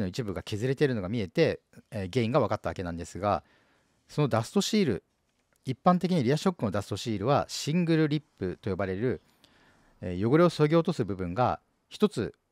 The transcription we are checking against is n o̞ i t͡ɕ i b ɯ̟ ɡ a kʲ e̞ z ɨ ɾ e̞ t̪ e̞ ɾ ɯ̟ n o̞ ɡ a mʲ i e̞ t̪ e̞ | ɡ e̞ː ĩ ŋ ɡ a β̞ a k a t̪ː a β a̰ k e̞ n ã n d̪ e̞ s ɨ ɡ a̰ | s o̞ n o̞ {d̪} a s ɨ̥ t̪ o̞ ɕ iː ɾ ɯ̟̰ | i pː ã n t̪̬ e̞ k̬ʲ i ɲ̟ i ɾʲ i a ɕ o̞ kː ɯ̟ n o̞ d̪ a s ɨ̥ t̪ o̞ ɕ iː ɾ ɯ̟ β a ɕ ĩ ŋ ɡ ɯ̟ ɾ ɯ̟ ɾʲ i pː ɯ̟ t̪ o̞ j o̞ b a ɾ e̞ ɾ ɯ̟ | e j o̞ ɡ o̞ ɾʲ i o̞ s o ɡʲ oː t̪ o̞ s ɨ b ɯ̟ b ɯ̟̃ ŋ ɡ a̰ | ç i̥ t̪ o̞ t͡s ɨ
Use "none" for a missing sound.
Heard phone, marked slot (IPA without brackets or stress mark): d̪